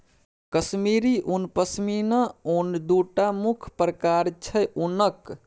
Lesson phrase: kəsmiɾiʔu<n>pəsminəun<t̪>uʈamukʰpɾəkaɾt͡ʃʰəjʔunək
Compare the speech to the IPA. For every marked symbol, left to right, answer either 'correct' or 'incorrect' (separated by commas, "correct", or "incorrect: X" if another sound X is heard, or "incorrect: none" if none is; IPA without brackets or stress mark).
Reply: correct, incorrect: d̪